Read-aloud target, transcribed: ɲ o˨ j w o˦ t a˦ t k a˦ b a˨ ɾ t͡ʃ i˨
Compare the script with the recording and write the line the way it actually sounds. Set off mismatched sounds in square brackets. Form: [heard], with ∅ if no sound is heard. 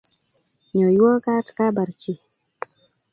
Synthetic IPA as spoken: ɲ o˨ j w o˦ [k] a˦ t k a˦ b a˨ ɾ t͡ʃ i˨

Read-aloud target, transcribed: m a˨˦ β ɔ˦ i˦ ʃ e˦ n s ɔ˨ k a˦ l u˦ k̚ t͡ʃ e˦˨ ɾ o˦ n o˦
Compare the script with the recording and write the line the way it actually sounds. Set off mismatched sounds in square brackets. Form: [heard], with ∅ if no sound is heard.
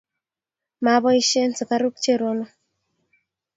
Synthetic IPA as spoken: m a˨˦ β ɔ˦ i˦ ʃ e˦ n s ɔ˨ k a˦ [ɾ] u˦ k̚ t͡ʃ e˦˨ ɾ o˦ n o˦

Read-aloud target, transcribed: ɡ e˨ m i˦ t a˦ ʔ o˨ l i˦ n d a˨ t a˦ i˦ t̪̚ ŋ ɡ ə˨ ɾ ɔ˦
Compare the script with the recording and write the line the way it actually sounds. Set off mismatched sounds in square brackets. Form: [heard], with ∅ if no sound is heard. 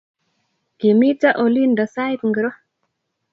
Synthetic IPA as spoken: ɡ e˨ m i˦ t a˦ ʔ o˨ l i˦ n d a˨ [s] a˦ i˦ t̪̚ ŋ ɡ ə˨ ɾ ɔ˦

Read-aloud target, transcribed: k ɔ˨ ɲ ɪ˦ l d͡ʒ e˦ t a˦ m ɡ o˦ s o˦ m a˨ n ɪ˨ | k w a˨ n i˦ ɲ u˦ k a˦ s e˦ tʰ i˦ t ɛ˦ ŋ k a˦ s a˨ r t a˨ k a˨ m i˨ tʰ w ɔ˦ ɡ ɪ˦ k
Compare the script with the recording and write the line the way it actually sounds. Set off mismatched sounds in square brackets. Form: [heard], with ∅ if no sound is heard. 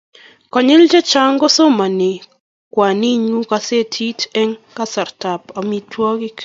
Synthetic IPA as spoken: k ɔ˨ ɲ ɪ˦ l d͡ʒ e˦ [t͡ʃ] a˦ [ŋ] ɡ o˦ s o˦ m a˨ n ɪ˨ | k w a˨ n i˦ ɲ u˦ k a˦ s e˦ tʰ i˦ t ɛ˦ ŋ k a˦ s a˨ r t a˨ [p] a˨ m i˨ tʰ w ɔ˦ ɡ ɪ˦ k

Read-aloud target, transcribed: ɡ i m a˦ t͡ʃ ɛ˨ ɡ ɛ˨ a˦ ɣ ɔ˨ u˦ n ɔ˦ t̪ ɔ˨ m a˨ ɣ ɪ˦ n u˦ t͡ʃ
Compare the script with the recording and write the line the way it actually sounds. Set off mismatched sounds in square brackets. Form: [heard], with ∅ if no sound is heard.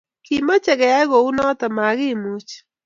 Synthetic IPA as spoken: [k] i m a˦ t͡ʃ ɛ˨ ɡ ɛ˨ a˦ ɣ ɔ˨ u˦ n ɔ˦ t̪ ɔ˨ m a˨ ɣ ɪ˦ [m] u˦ t͡ʃ

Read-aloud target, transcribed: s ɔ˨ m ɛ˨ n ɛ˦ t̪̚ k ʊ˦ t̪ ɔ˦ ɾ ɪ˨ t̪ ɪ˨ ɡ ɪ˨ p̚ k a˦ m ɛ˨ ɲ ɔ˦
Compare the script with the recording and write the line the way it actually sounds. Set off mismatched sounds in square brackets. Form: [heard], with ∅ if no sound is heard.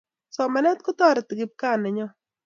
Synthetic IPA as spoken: s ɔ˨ m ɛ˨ n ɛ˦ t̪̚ k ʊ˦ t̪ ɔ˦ ɾ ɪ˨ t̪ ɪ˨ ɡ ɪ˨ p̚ k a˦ [n] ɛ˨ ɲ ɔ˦

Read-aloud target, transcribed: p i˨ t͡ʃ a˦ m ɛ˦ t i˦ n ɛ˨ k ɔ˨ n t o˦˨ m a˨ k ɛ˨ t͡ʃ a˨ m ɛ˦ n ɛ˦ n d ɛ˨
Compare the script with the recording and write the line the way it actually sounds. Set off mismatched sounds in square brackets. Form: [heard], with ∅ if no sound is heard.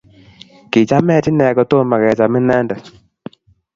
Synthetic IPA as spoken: [k] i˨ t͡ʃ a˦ m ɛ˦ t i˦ n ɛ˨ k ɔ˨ [∅] t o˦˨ m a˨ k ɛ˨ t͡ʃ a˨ m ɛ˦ n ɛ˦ n d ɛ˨

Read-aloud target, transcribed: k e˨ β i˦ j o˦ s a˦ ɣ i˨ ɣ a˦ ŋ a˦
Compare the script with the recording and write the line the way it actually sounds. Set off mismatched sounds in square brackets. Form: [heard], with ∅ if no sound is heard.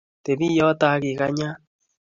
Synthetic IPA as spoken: [t] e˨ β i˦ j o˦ [t] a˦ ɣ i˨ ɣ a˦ [ɲ] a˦

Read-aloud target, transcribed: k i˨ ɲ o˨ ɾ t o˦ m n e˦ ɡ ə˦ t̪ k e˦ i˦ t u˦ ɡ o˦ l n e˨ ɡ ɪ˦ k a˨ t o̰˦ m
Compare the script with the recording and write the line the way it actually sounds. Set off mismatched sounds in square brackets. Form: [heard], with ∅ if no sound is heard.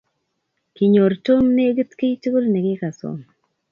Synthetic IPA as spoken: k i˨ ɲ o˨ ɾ t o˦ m n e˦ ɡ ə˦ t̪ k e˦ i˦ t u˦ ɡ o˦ l n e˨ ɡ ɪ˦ k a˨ [s] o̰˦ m

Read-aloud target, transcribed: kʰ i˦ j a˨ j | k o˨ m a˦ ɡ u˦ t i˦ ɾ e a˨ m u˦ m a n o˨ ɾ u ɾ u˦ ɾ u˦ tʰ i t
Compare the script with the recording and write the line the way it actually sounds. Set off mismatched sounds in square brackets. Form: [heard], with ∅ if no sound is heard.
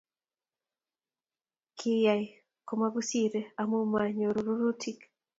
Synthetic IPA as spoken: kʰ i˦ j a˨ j | k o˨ m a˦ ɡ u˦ [s] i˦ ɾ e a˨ m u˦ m a [ɲ] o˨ ɾ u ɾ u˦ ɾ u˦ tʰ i [k]

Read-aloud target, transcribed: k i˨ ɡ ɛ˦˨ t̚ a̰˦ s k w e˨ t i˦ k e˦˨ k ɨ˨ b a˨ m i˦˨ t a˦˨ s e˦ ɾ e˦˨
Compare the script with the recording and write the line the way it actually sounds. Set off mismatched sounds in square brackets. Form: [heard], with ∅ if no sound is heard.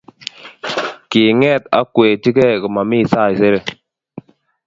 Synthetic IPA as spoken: k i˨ [ŋ] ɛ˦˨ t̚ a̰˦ [∅] k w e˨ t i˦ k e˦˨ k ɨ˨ [m] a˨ m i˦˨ [s] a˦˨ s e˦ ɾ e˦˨

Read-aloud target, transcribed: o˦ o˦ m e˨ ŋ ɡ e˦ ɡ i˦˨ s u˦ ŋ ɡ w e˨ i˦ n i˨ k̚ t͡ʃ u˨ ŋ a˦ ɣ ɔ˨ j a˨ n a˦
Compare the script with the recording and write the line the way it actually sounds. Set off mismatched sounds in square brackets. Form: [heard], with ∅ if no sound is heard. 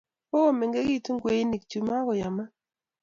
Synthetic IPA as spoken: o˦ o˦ m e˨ ŋ ɡ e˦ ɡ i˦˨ [t] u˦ ŋ ɡ w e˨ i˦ n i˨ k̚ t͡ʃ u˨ [m] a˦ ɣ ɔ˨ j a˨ [m] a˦

